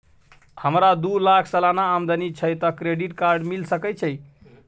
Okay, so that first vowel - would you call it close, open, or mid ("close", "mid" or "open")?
mid